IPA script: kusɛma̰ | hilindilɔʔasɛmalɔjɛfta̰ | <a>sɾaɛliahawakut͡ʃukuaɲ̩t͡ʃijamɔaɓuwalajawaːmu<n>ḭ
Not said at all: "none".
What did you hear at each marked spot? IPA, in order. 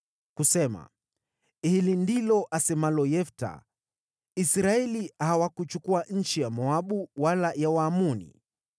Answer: i, n

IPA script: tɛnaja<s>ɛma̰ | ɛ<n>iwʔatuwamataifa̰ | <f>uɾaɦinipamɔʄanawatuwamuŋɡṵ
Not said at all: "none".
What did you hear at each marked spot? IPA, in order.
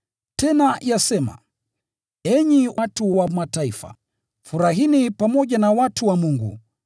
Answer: s, ɲ, f

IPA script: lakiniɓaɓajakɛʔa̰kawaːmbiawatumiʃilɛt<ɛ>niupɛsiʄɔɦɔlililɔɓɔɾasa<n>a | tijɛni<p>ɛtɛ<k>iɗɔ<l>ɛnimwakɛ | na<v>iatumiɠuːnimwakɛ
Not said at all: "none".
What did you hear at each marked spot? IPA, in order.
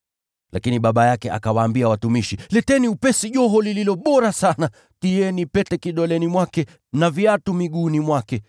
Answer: ɛ, n, p, k, l, v

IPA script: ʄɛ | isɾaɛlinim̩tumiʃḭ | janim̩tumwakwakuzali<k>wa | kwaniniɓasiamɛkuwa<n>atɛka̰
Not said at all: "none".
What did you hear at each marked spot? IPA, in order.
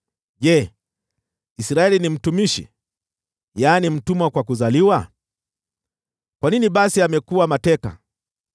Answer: none, m

